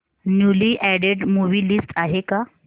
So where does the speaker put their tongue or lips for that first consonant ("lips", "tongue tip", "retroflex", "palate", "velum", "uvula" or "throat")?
tongue tip